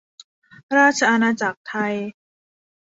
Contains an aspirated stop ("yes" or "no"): yes